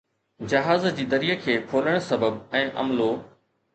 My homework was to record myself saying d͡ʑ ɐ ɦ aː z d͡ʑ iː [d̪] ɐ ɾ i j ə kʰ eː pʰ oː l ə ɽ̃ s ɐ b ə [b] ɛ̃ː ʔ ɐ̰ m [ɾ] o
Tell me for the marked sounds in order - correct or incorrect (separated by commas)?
correct, correct, incorrect